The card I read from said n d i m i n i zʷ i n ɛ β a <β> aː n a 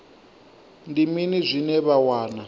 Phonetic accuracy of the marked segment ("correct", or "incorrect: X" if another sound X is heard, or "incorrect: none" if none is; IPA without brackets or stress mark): incorrect: w